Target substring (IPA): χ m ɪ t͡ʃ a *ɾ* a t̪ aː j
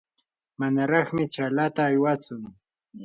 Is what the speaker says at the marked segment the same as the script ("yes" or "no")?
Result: no